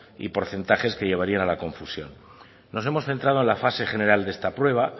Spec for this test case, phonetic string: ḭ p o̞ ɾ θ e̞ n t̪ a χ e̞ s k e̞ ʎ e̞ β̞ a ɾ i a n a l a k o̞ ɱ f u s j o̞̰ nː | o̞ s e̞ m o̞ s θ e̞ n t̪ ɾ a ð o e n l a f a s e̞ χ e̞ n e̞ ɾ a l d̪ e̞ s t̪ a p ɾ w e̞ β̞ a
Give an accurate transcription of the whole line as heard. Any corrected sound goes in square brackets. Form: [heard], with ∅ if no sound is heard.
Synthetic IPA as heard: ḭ p o̞ ɾ θ e̞ n t̪ a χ e̞ s k e̞ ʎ e̞ β̞ a ɾ i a n a l a k o̞ ɱ f u s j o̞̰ nː | o̞ s e̞ m o̞ s θ e̞ n t̪ ɾ a ð o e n l a f a s e̞ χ e̞ n e̞ ɾ a l d̪ e̞ s t̪ a p ɾ w e̞ β̞ a